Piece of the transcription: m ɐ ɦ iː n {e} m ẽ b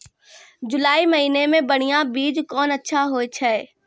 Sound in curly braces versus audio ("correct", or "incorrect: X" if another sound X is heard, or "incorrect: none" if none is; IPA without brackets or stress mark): correct